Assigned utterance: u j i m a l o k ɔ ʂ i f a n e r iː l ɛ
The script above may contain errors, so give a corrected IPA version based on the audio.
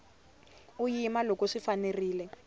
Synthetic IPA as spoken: u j i m a l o k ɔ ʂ i f a n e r iː l ɛ

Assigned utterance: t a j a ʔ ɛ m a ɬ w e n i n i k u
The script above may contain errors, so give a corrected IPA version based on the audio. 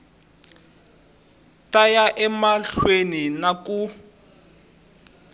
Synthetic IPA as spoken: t a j a ʔ ɛ m a ɬ w e n i n a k u

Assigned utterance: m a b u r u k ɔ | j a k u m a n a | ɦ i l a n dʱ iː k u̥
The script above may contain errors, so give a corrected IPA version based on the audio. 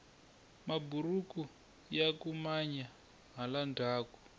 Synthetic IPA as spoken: m a b u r u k u | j a k u m a ɲ a | ɦ a l a n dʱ aː k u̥

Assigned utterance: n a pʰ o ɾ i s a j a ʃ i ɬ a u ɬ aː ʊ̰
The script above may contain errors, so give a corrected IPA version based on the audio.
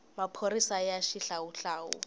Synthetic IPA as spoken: m a pʰ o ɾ i s a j a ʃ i ɬ a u ɬ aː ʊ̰

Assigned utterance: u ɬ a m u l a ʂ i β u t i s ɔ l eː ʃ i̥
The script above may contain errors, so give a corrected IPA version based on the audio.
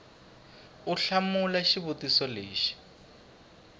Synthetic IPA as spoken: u ɬ a m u l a ʃ i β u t i s ɔ l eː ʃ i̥

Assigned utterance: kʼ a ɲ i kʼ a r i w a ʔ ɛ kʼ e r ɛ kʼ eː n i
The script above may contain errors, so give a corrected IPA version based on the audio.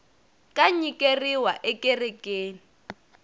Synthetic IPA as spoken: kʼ a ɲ i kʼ e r i w a ʔ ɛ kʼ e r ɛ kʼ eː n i

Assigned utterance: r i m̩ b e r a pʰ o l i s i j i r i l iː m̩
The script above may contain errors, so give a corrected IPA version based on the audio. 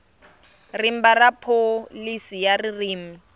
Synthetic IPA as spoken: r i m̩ b a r a pʰ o l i s i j a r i r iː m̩

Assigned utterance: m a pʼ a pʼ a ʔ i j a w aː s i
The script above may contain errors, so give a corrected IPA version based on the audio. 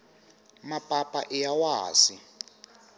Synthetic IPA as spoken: m a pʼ a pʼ a ʔ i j a w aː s i

